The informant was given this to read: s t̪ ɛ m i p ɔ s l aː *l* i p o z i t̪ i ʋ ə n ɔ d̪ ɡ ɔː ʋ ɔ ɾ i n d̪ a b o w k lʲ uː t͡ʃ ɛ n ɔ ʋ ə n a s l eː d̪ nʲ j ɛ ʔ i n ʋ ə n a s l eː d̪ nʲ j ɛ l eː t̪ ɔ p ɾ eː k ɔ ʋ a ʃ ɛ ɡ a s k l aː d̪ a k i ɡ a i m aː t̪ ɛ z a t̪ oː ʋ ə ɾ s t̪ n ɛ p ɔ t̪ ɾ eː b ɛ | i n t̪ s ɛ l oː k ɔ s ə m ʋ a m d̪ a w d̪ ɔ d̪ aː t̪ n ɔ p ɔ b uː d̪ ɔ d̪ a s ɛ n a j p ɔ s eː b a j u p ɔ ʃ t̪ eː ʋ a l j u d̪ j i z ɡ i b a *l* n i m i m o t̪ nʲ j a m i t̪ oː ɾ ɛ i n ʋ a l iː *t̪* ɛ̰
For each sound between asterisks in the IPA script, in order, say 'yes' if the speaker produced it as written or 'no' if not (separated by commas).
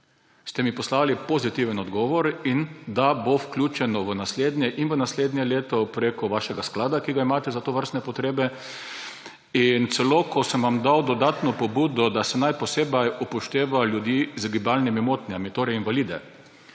yes, yes, no